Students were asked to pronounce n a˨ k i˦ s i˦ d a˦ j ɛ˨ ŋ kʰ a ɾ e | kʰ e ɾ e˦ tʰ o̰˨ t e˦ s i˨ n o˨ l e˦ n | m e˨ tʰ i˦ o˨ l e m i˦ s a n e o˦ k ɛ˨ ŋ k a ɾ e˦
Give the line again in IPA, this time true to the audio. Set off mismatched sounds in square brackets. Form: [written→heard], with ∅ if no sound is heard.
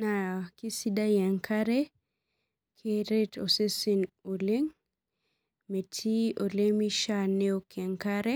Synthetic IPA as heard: n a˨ k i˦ s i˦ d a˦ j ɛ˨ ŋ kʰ a ɾ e | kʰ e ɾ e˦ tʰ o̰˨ [t→s] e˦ s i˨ n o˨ l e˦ [n→ŋ] | m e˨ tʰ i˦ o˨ l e m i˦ [s→ʃ] a n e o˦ k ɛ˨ ŋ k a ɾ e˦

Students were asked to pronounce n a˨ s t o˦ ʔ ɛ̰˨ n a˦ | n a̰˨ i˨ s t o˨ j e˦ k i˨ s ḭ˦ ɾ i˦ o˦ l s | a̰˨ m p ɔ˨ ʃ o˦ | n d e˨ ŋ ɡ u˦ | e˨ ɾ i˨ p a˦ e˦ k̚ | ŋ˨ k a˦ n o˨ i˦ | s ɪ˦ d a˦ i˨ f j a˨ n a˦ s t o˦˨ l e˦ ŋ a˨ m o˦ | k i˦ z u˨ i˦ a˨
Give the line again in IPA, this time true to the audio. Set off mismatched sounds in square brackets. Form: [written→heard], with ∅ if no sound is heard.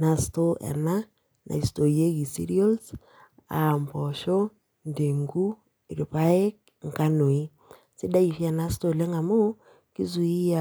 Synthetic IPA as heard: n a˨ s t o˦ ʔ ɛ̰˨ n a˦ | n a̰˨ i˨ s t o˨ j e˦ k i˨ s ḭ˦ ɾ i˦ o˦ l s | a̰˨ m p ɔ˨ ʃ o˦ | n d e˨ ŋ ɡ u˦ | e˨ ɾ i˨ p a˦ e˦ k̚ | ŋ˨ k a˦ n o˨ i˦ | s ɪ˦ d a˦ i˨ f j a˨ n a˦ s t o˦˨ l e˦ ŋ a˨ m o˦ | k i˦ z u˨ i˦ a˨

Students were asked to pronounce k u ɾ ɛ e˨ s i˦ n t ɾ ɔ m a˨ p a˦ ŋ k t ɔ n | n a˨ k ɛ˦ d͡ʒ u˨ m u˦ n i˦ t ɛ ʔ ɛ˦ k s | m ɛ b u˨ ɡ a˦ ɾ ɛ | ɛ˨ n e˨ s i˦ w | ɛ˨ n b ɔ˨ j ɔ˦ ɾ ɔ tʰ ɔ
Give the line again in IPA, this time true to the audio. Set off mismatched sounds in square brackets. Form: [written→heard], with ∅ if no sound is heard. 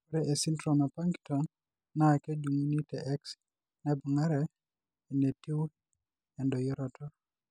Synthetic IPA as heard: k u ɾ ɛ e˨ s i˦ n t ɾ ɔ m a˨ p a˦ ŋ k t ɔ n | n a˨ k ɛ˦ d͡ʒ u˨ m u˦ n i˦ t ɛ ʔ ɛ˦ k s | [m→n] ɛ b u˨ [ɡ→ŋ] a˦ ɾ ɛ | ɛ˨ n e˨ [s→t] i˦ w | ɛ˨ n [b→d] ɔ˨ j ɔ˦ ɾ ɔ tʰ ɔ

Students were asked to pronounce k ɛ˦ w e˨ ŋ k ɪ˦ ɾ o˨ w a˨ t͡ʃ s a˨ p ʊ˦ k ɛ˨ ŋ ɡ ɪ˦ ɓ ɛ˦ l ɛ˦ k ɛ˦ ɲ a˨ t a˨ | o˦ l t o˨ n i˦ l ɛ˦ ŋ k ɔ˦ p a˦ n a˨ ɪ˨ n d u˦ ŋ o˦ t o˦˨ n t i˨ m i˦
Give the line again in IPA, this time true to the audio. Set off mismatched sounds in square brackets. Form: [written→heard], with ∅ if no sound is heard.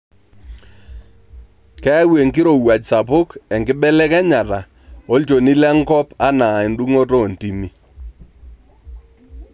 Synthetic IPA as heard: k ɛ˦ w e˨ ŋ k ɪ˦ ɾ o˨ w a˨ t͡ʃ s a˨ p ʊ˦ k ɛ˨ ŋ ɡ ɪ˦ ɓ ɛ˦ l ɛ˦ k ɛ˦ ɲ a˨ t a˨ | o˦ l [t→t͡ʃ] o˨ n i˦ l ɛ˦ ŋ k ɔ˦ p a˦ n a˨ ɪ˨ n d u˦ ŋ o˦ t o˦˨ n t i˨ m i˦

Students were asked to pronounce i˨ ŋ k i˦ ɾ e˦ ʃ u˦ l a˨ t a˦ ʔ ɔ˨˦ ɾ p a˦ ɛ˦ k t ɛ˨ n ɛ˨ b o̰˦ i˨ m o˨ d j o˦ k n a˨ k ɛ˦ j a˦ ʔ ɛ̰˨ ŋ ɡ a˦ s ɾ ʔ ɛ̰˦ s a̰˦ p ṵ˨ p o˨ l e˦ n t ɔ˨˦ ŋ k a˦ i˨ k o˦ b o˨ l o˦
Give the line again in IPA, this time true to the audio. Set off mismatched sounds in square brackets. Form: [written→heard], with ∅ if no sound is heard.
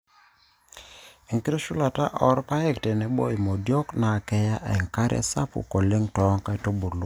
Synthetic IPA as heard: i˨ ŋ k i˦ ɾ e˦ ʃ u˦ l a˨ t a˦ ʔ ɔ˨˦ ɾ p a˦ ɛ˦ k t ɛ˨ n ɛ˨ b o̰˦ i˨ m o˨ d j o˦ k n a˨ k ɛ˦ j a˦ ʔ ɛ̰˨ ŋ [ɡ→k] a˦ [s→∅] ɾ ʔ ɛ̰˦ s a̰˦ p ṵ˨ [p→k] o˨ l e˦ [n→ŋ] t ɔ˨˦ ŋ k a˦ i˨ [k→t] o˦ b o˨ l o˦

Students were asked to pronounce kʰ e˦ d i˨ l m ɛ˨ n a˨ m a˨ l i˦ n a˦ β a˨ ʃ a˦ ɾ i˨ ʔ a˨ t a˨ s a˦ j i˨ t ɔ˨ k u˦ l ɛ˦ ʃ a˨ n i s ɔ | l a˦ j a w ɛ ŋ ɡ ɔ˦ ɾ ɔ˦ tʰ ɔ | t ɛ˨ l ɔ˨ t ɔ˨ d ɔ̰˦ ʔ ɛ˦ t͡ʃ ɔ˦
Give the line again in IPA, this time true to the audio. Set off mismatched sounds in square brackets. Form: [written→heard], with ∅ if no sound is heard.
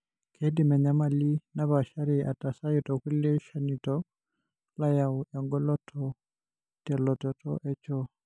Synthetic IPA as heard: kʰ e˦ d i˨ [l→∅] m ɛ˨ [n→ɲ] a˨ m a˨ l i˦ n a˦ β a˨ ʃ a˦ ɾ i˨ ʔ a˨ t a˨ s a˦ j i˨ t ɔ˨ k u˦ l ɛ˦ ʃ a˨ n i [s→t] ɔ | l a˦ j a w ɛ ŋ ɡ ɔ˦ [ɾ→l] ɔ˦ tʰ ɔ | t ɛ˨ l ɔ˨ t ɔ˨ [d→t] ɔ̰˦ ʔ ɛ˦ t͡ʃ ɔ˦

